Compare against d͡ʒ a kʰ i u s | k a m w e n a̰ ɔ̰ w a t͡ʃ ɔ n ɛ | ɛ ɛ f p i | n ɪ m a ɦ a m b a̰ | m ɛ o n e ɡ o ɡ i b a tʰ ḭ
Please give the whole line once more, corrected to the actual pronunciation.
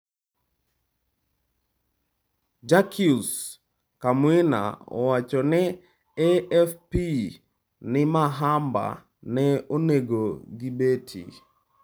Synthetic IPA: d͡ʒ a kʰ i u s | k a m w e n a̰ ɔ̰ w a t͡ʃ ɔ n ɛ | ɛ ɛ f p i | n ɪ m a ɦ a m b a̰ | n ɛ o n e ɡ o ɡ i b e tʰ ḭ